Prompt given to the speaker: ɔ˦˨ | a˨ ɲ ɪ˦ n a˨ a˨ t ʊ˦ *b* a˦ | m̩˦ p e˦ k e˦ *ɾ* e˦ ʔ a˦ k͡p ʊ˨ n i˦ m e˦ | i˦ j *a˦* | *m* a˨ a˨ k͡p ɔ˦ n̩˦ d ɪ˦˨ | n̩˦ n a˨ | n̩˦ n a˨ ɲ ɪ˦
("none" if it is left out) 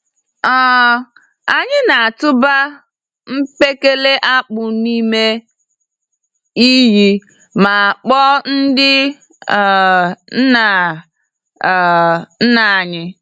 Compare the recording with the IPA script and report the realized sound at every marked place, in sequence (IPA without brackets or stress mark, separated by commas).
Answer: b, l, i˦, m